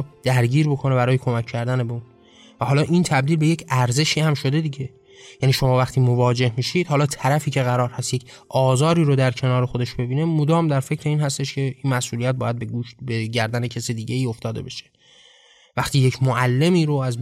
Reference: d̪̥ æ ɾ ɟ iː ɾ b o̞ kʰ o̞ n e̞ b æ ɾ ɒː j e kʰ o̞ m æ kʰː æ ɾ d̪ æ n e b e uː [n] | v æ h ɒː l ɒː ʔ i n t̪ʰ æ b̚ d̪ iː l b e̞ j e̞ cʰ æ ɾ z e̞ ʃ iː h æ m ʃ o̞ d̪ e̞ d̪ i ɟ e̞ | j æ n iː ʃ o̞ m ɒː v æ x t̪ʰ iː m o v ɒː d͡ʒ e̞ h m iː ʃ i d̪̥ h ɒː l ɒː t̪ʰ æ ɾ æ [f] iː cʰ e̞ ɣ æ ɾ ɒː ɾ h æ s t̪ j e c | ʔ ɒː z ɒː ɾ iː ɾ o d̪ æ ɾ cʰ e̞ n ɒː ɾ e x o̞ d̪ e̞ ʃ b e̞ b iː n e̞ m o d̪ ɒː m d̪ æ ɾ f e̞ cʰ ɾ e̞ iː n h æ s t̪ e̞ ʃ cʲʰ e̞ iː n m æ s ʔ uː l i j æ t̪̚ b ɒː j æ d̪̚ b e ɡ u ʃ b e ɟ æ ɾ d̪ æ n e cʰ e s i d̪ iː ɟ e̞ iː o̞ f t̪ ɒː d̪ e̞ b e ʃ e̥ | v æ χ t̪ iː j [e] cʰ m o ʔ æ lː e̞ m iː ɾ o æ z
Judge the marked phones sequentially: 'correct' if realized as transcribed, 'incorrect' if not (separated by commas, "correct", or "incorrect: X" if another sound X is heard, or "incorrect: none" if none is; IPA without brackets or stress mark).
correct, correct, correct